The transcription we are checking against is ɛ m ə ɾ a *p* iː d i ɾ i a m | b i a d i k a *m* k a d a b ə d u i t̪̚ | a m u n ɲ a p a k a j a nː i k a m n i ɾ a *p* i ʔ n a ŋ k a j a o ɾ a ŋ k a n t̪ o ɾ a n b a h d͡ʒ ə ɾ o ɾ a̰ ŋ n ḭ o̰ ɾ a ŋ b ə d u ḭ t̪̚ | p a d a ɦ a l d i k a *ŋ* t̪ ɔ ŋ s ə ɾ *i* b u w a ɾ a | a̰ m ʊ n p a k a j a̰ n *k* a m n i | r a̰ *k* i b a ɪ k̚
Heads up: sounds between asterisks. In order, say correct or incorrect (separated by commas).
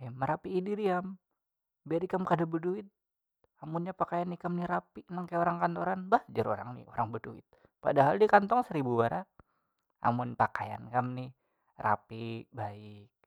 correct, correct, correct, incorrect, correct, correct, incorrect